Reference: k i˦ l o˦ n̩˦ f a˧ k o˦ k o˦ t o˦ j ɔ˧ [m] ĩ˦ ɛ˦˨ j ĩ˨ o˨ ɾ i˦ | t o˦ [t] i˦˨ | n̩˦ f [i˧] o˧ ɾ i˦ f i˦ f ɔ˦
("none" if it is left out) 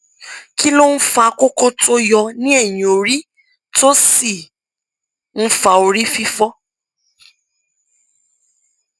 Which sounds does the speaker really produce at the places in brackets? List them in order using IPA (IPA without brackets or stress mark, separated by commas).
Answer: n, s, a˧